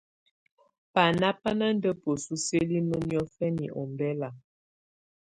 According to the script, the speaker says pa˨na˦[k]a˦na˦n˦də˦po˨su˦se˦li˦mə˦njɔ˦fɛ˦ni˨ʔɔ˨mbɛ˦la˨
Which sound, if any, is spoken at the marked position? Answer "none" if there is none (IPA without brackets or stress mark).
p